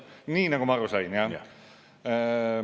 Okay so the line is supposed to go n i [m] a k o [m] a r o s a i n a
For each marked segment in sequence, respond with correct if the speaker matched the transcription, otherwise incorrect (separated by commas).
incorrect, correct